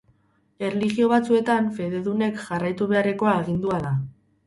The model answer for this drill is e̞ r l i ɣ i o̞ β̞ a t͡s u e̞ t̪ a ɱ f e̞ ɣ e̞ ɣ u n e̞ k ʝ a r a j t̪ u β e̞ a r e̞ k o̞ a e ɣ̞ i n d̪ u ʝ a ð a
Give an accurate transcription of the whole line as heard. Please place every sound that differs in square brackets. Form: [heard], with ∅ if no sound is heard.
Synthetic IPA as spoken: e̞ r l i ɣ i o̞ β̞ a t͡s u e̞ t̪ a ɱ f e̞ [ð] e̞ [ð] u n e̞ k ʝ a r a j t̪ u β e̞ a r e̞ k o̞ a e ɣ̞ i n d̪ u [∅] a ð a